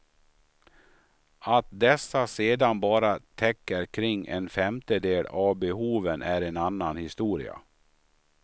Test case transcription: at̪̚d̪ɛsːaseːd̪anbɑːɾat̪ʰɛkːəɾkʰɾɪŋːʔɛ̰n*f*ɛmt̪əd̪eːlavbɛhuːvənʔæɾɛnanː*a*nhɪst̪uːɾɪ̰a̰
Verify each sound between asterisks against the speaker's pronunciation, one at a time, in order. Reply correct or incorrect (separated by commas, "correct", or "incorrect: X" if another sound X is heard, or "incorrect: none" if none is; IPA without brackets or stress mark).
correct, correct